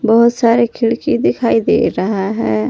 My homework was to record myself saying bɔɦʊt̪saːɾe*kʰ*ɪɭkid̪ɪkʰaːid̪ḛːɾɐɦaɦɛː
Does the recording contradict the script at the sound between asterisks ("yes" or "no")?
no